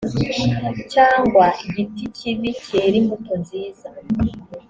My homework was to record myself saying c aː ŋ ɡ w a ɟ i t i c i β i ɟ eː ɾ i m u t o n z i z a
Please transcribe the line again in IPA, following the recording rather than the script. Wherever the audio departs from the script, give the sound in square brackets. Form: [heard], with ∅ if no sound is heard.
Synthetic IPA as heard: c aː ŋ ɡ w a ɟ i t i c i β i [c] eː ɾ i m u t o n z [iː] z a